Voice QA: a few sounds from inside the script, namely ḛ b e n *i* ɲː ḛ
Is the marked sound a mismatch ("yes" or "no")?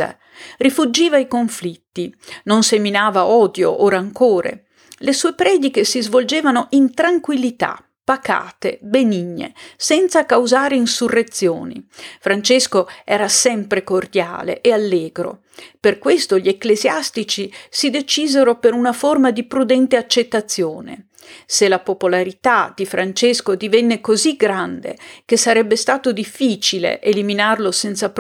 no